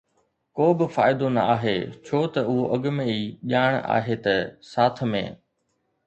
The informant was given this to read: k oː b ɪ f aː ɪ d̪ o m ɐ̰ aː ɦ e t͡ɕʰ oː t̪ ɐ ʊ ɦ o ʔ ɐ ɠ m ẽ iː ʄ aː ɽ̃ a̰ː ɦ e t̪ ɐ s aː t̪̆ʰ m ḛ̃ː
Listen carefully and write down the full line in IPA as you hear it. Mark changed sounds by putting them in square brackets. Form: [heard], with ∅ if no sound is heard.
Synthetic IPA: k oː b ɪ f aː ɪ d̪ o [n] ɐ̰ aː ɦ e t͡ɕʰ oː t̪ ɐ ʊ ɦ o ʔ ɐ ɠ m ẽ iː ʄ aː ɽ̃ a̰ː ɦ e t̪ ɐ s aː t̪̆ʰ m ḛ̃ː